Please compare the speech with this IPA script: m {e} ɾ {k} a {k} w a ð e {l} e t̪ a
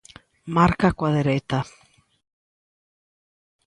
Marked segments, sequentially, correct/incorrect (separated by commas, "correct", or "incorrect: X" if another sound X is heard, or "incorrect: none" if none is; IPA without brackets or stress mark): incorrect: a, correct, correct, incorrect: ɾ